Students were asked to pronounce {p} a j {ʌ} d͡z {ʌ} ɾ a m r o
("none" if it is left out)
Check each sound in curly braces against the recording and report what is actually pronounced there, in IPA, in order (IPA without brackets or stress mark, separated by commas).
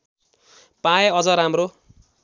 p, ʌ, ʌ